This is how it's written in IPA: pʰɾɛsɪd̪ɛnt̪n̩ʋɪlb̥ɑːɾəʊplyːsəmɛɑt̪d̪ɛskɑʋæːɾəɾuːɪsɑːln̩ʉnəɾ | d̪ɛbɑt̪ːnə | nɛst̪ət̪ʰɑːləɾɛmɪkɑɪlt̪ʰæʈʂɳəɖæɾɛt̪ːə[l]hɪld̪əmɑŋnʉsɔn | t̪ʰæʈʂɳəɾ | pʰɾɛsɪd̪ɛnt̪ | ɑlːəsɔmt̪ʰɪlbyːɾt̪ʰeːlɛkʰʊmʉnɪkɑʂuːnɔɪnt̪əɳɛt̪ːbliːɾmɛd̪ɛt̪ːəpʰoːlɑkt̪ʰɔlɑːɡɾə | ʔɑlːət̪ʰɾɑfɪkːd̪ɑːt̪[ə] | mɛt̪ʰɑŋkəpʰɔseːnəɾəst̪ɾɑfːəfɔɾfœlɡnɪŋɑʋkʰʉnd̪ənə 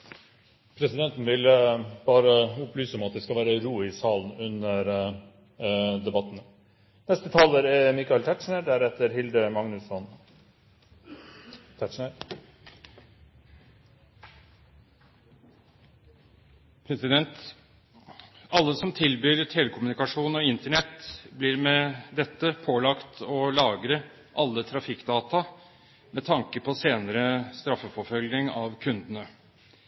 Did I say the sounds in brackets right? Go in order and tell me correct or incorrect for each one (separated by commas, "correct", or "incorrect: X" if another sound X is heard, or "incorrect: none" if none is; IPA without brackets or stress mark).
incorrect: ɾ, incorrect: ɑ